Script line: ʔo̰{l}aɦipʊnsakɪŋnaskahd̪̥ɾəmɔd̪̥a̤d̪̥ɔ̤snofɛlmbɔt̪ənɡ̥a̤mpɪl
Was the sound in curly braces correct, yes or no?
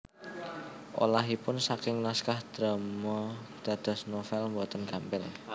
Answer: yes